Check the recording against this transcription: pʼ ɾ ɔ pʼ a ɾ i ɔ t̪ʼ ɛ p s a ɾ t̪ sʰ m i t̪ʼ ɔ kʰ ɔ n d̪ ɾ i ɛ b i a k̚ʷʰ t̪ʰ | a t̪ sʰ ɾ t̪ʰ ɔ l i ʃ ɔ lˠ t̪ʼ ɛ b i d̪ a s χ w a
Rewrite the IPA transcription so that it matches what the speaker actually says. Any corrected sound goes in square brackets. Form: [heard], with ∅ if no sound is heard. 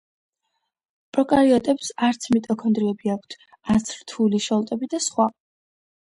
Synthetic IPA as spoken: pʼ ɾ ɔ [kʼ] a ɾ i ɔ t̪ʼ ɛ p s a ɾ t̪ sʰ m i t̪ʼ ɔ kʰ ɔ n d̪ ɾ i ɛ b i a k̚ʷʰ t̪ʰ | a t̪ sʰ ɾ t̪ʰ [u] l i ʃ ɔ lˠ t̪ʼ ɛ b i d̪ a s χ w a